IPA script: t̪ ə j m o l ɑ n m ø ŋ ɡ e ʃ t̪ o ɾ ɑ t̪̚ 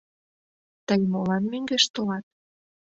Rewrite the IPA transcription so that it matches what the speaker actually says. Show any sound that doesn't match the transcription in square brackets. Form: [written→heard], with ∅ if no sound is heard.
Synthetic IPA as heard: t̪ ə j m o l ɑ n m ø ŋ ɡ e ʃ t̪ o [ɾ→l] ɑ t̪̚